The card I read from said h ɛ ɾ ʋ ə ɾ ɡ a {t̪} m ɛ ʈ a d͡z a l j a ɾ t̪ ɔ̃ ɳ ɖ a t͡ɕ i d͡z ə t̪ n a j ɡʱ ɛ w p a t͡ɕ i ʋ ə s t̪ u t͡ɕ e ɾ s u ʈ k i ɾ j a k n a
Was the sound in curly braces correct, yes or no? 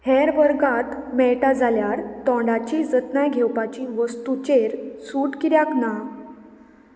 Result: yes